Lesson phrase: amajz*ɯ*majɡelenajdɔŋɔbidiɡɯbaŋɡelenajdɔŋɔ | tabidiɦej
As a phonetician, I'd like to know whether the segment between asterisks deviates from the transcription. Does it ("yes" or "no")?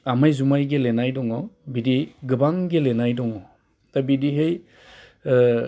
yes